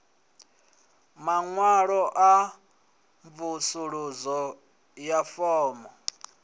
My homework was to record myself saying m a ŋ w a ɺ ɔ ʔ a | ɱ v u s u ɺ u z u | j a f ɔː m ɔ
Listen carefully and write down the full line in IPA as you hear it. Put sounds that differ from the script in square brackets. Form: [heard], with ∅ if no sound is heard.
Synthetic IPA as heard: m a ŋ w a ɺ ɔ ʔ a | ɱ v u s u ɺ u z [ɔ] | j a f ɔː m ɔ